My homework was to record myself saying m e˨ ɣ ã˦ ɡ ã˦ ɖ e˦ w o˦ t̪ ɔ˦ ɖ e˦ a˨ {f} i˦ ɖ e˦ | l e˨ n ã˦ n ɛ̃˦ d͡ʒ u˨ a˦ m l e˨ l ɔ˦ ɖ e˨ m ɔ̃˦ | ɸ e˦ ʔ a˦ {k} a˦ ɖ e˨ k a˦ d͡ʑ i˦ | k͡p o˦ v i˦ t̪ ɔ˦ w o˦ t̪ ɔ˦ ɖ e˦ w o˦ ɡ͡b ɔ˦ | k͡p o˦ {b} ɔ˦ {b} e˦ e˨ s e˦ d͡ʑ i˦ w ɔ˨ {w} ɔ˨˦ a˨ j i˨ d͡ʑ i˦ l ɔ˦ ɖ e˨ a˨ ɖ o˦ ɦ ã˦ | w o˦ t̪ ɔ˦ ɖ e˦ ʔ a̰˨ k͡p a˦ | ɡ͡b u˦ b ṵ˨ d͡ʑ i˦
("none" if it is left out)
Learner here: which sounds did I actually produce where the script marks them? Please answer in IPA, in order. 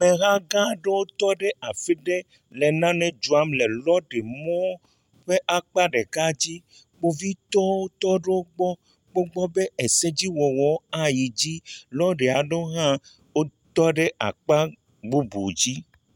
f, k͡p, ɡ͡b, b, w

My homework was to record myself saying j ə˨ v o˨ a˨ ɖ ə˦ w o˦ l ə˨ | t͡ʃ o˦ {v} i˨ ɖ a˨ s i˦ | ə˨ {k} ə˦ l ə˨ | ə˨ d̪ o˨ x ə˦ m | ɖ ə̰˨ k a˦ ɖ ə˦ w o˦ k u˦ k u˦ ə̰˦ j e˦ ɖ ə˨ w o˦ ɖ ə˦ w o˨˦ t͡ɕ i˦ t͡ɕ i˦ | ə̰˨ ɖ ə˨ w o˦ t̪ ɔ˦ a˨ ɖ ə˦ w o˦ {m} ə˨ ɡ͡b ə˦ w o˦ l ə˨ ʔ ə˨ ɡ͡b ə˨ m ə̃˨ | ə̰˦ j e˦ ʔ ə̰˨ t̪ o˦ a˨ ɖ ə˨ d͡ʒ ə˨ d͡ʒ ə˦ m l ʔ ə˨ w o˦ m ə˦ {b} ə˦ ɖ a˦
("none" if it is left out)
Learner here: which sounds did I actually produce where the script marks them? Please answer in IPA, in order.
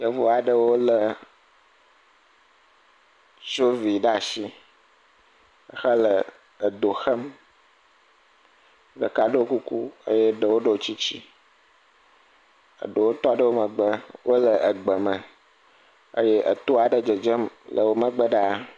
v, x, m, ɡ͡b

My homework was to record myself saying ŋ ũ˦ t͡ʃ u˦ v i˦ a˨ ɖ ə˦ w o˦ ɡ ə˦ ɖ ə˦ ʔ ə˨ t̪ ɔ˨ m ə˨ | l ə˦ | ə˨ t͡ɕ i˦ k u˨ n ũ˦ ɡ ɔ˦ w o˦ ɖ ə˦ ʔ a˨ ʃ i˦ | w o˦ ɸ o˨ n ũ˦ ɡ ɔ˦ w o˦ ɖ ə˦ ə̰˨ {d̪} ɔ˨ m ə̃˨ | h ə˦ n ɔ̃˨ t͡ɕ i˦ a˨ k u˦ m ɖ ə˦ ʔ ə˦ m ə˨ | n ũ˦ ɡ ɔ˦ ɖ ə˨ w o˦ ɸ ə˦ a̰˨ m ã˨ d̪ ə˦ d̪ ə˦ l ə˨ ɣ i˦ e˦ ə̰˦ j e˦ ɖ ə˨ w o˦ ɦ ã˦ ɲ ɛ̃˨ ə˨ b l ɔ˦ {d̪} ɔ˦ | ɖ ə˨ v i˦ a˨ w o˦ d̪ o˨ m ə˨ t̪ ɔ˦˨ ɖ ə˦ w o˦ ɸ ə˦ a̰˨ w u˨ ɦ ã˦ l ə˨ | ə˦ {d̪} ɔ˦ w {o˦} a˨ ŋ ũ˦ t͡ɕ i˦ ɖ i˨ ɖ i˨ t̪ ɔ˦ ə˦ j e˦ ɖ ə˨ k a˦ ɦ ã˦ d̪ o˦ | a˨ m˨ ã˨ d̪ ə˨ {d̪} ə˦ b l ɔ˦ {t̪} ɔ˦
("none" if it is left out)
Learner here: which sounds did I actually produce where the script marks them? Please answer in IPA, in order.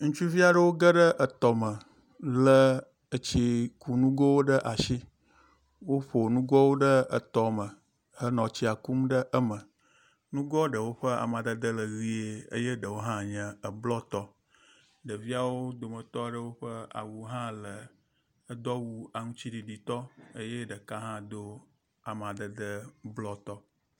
t̪, t̪, d̪, u˦, d̪, t̪

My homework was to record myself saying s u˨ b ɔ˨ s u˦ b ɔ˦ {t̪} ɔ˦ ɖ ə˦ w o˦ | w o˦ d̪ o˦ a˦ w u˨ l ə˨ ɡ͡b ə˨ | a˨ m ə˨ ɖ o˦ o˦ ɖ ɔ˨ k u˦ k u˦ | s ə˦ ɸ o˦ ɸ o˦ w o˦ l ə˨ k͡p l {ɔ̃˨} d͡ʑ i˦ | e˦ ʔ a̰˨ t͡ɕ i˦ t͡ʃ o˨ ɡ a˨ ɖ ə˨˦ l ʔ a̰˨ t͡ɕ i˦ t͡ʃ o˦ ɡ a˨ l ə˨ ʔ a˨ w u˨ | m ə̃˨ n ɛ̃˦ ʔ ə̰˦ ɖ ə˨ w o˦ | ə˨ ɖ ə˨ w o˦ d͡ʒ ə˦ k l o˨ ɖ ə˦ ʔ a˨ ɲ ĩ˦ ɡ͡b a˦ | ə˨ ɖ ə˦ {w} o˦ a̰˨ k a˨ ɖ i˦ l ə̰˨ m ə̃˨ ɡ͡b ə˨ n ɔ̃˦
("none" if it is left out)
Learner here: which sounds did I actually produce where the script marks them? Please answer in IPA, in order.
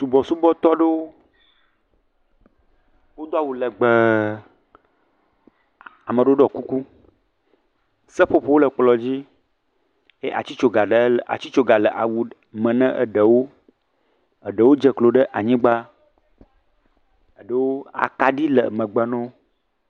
t̪, ɔ˨, w

